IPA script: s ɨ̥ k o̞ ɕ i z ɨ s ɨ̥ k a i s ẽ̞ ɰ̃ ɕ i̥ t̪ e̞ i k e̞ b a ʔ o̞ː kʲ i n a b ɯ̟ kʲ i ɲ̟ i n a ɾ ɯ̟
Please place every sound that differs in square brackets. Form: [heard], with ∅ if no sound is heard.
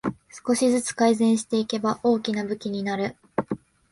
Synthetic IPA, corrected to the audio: s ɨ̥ k o̞ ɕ i z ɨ [t͡s] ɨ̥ k a i [z] ẽ̞ ɰ̃ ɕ i̥ t̪ e̞ i k e̞ b a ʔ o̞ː kʲ i n a b ɯ̟ kʲ i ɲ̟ i n a ɾ ɯ̟